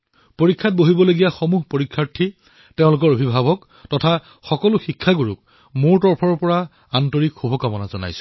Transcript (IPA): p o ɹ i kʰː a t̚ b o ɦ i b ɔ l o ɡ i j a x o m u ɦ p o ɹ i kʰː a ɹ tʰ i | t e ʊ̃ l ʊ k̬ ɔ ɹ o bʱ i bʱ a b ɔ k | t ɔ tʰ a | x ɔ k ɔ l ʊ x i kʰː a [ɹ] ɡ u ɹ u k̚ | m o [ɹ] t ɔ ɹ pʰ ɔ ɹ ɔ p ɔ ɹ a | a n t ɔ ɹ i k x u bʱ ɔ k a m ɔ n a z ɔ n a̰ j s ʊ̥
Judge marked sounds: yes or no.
no, yes

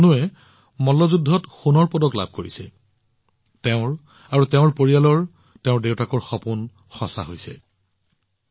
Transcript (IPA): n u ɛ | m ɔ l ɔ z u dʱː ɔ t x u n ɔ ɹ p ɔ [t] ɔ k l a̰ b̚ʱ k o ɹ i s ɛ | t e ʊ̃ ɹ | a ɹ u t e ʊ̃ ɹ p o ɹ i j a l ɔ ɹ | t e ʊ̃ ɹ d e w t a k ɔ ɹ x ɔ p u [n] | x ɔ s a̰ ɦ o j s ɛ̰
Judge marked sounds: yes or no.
no, yes

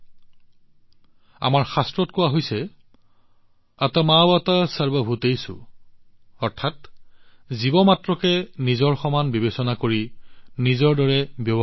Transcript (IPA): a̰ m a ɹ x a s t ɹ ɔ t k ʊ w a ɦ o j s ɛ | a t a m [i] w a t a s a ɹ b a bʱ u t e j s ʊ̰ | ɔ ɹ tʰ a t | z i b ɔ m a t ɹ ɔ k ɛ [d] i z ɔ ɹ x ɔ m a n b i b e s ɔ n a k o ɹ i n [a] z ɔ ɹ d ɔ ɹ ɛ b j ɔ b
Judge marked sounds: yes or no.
no, no, no

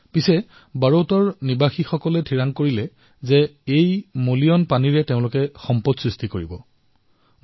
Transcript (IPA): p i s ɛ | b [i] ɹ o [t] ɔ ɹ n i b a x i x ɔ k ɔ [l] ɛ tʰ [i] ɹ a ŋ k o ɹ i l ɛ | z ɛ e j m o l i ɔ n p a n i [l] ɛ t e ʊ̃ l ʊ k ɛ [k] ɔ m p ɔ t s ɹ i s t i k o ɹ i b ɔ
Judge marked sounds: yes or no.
no, yes, yes, yes, no, no

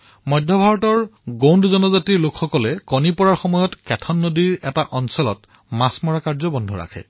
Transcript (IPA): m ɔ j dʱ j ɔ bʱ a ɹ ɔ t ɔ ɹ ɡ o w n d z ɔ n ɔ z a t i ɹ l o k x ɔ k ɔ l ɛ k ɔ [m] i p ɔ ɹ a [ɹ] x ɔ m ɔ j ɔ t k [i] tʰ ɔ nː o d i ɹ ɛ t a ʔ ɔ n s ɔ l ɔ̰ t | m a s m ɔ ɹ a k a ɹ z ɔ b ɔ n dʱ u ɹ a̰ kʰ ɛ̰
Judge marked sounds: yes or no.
no, yes, no

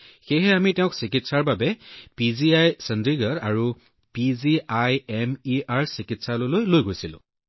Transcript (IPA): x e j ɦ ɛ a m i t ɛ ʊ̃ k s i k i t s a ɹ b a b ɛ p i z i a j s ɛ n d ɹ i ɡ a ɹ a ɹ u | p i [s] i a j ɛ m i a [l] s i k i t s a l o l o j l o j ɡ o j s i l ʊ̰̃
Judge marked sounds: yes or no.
no, no

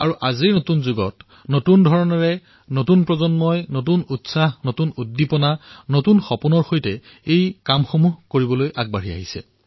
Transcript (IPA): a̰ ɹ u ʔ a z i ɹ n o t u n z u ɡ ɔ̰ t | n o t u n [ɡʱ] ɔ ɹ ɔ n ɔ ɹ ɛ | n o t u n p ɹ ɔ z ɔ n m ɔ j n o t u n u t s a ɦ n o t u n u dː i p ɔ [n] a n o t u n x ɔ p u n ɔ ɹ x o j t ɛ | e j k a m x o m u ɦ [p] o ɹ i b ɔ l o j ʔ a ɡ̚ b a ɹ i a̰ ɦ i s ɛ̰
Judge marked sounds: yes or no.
no, yes, no

